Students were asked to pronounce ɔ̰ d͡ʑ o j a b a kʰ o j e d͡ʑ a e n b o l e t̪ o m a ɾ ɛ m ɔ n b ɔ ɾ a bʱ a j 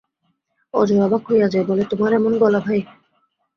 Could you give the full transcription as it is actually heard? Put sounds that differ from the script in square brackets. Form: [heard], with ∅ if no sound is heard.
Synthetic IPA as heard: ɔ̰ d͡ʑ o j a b a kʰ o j [a] d͡ʑ a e [∅] b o l e t̪ o m a ɾ ɛ m [o] n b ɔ [l] a bʱ a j